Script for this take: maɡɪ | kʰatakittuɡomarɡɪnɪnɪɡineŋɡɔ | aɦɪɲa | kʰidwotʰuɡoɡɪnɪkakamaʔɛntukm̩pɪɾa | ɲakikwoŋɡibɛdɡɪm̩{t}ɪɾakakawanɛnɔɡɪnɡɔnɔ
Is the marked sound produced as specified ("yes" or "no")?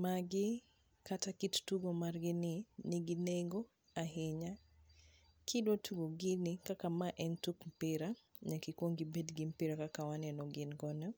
no